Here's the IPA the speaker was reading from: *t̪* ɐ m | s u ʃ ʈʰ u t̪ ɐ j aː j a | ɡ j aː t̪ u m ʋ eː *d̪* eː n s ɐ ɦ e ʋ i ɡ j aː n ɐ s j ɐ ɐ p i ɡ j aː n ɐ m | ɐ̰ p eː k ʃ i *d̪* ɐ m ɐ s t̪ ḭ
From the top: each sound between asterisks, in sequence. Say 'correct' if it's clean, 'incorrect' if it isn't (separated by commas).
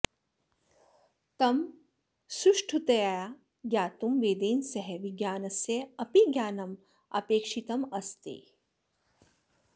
correct, correct, incorrect